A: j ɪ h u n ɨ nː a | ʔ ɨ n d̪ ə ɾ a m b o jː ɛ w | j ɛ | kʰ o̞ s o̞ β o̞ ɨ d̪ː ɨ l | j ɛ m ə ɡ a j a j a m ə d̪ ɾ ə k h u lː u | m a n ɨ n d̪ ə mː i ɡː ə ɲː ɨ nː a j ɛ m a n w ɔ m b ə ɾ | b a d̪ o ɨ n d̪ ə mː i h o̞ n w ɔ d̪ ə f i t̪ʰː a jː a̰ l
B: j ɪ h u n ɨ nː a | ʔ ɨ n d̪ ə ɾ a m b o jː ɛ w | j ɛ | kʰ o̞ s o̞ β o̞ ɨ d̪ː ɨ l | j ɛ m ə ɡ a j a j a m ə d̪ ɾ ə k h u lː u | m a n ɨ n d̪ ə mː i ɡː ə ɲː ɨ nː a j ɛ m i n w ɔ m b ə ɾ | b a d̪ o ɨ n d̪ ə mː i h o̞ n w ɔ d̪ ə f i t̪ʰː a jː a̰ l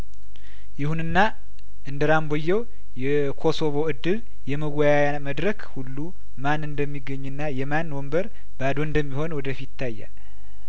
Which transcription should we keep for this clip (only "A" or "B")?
A